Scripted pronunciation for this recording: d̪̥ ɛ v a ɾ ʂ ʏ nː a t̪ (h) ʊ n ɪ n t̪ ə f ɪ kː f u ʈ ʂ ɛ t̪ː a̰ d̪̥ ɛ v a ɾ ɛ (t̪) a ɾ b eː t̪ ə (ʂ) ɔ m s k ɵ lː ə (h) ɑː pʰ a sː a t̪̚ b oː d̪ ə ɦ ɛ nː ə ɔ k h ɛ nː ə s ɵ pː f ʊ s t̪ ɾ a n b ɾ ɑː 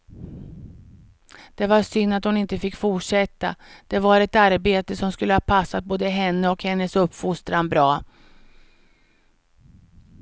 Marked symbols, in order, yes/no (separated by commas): yes, yes, no, yes